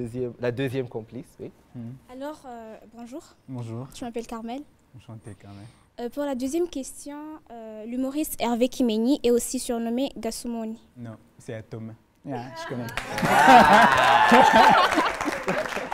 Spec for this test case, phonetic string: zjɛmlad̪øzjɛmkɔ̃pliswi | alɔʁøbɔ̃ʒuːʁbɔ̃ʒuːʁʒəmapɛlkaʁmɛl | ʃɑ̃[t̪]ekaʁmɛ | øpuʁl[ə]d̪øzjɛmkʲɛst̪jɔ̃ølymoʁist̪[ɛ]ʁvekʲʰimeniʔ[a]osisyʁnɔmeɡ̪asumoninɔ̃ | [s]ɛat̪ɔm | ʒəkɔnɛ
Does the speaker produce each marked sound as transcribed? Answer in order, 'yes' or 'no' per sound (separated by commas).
yes, no, yes, no, yes